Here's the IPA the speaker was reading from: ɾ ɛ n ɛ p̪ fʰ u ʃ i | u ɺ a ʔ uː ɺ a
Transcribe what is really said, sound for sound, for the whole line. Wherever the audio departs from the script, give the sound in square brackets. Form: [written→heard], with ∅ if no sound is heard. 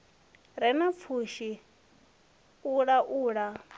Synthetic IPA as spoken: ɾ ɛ n [ɛ→a] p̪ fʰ u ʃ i | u ɺ a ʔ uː ɺ a